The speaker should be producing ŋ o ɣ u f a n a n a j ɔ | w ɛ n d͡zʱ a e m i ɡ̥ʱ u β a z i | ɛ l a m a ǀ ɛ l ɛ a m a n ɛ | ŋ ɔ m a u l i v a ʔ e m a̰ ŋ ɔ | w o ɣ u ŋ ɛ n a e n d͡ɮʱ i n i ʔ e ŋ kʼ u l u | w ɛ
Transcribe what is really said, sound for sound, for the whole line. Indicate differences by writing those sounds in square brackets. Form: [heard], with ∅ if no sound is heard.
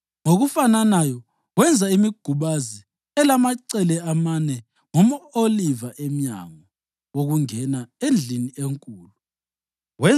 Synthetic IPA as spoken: ŋ o ɣ u f a n a n a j ɔ | w ɛ n d͡zʱ a [i] m i ɡ̥ʱ u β a z i | ɛ l a m a ǀ ɛ l ɛ a m a n ɛ | ŋ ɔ m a [o] l i v a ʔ e m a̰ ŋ ɔ | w o ɣ u ŋ ɛ n a e n d͡ɮʱ i n i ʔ e ŋ kʼ [uː] l u | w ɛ